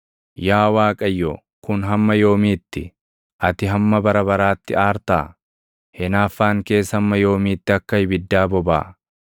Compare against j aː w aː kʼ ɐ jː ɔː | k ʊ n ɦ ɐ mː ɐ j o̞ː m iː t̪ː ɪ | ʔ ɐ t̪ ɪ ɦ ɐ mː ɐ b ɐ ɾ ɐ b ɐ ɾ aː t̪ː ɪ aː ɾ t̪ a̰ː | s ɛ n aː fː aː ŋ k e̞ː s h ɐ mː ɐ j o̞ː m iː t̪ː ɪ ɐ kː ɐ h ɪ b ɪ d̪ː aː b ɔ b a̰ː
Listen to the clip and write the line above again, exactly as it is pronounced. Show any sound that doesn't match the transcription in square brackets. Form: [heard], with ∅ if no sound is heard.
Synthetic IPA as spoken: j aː w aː kʼ ɐ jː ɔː | k ʊ n ɦ ɐ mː ɐ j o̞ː m iː t̪ː ɪ | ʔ ɐ t̪ ɪ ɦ ɐ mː ɐ b ɐ ɾ ɐ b ɐ ɾ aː t̪ː ɪ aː ɾ t̪ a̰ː | [h] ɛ n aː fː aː ŋ k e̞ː s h ɐ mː ɐ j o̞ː m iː t̪ː ɪ ɐ kː ɐ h ɪ b ɪ d̪ː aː b ɔ b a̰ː